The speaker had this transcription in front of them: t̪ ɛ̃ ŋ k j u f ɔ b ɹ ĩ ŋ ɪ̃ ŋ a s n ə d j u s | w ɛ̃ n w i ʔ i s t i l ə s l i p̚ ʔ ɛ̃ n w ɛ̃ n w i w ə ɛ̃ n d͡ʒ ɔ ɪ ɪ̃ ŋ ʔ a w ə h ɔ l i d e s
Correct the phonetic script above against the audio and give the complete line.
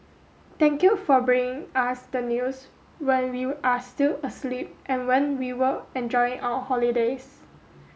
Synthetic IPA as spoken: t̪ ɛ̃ ŋ k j u f ɔ b ɹ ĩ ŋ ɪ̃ ŋ a s d ə n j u s | w ɛ̃ n w i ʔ a s t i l ə s l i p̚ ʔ ɛ̃ n w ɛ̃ n w i w ə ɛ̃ n d͡ʒ ɔ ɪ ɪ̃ ŋ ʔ a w ə h ɔ l i d e s